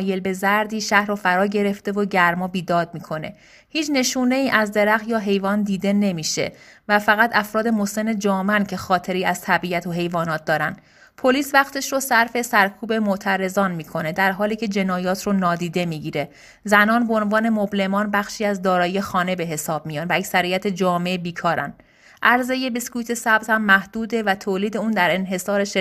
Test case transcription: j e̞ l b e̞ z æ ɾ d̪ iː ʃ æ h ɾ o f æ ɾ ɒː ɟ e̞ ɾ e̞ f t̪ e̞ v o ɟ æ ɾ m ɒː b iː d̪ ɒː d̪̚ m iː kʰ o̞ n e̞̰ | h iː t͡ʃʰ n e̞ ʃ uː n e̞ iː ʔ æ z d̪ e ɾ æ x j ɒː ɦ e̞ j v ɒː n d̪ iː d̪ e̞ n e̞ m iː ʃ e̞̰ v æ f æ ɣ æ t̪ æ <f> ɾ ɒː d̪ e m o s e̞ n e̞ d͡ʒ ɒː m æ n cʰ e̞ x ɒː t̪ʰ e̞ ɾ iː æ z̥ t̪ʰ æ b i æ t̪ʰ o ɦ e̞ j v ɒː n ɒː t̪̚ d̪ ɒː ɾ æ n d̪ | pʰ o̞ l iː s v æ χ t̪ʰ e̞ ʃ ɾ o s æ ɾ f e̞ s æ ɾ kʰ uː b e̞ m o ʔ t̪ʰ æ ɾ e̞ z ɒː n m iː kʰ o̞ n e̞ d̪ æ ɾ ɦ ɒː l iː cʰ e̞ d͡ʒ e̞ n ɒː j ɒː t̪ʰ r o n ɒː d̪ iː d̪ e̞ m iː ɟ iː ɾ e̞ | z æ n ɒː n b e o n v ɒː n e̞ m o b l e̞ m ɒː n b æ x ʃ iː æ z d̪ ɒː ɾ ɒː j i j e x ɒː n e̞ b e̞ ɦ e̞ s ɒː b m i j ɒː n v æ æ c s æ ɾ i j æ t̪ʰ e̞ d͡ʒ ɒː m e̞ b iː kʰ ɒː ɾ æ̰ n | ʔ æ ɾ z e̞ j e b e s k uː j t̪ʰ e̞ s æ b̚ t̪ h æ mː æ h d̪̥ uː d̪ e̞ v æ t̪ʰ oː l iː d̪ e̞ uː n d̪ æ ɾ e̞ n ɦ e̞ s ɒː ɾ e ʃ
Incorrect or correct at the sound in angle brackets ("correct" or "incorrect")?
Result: correct